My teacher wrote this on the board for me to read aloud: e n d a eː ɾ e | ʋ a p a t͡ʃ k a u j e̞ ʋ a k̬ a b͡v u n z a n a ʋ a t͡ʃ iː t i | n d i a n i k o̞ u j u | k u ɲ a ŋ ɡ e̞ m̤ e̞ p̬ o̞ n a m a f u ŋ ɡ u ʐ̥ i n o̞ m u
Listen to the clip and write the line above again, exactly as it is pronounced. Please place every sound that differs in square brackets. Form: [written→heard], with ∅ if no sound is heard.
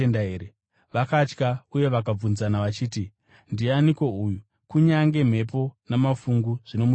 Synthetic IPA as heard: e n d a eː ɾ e | ʋ a [p→k] a t͡ʃ k a u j e̞ ʋ a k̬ a b͡v u n z a n a ʋ a t͡ʃ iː t i | n d i a n i k o̞ u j u | k u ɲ a ŋ ɡ e̞ m̤ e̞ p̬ o̞ n a m a f u ŋ ɡ u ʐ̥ i n o̞ m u